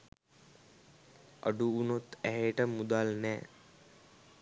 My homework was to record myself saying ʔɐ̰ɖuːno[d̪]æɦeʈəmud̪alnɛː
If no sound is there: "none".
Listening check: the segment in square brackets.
t̪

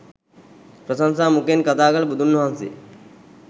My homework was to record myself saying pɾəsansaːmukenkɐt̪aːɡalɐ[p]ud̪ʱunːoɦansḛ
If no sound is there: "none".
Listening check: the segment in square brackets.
b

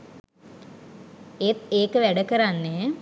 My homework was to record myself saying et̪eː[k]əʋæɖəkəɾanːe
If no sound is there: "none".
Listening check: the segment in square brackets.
k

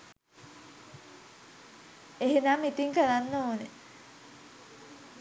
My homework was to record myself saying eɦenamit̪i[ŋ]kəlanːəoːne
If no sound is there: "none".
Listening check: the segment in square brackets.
ŋ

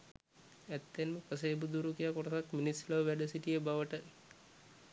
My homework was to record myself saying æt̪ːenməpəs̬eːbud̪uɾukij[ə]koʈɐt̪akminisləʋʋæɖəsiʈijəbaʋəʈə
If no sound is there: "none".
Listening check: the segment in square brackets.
a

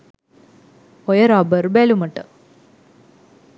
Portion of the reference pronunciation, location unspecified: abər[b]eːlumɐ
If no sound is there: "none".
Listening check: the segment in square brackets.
b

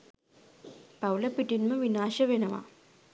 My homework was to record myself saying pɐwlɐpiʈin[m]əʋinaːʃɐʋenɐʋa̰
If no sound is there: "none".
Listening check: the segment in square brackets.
m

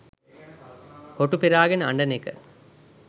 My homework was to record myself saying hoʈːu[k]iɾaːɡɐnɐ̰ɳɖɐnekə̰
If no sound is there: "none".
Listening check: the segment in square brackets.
p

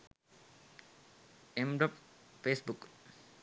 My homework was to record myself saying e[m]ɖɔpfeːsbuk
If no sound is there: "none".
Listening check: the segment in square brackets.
m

